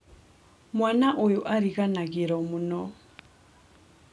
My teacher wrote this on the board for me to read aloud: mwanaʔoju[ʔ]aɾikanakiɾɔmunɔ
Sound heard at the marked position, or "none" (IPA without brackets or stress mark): ʔ